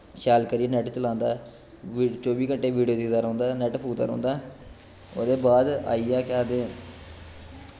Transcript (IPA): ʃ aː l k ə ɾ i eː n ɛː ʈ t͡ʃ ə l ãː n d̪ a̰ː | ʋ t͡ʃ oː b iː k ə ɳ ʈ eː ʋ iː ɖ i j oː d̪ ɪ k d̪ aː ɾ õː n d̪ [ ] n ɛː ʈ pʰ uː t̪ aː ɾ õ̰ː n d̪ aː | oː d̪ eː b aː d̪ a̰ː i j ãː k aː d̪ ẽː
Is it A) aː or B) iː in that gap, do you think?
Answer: A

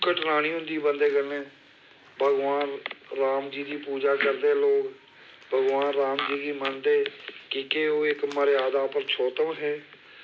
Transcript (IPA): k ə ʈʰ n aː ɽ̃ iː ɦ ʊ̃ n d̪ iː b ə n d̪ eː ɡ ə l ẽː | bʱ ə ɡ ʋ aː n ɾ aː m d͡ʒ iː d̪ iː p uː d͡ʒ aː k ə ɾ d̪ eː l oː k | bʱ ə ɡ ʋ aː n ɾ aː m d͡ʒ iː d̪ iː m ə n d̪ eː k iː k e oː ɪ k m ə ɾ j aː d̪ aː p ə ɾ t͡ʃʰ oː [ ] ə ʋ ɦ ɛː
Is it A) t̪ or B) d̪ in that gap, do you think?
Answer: A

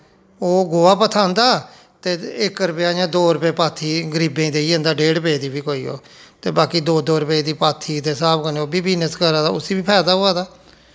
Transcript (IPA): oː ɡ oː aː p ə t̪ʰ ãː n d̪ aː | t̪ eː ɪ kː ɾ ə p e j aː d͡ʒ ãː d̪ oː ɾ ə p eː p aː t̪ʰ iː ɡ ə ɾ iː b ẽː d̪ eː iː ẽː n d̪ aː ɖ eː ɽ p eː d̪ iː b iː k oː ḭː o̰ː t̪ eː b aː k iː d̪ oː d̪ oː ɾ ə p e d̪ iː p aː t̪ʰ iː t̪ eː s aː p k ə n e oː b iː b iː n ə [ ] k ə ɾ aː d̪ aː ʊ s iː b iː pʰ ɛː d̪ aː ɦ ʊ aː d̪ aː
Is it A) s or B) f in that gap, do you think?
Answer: A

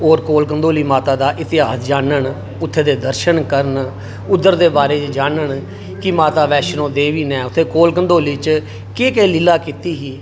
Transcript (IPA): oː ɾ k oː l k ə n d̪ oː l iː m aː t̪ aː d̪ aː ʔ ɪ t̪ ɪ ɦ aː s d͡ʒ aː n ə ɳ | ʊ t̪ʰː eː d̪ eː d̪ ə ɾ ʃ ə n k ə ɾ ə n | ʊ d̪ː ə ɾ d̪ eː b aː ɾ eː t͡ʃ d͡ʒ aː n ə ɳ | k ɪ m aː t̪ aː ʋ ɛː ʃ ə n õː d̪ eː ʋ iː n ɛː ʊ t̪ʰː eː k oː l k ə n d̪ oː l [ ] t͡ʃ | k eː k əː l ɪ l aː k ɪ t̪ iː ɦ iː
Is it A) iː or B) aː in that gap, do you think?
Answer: A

